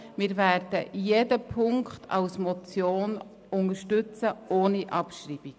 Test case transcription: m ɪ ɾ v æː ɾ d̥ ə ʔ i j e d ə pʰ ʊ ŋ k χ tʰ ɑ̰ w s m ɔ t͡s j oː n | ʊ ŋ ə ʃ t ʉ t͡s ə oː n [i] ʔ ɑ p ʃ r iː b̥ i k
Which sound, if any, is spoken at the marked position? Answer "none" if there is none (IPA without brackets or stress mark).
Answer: i